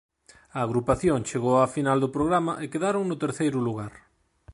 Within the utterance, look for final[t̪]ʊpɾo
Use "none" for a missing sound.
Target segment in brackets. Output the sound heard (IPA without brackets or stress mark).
d̪